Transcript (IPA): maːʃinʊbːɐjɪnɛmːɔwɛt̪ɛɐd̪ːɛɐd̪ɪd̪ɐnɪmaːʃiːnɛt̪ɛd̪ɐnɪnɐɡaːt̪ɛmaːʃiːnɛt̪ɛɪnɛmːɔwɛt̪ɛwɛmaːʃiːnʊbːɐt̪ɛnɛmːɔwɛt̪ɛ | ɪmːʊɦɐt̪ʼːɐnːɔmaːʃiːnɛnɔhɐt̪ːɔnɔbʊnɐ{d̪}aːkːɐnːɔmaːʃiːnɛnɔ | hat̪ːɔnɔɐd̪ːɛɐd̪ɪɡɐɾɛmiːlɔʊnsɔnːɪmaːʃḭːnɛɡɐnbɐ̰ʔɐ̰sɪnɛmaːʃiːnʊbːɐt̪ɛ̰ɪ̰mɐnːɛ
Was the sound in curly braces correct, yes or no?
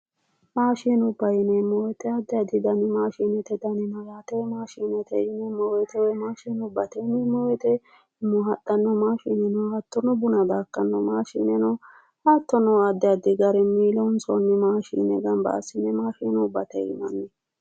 yes